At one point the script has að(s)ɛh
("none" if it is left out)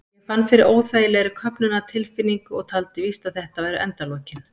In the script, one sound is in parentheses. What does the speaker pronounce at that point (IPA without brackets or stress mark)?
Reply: θ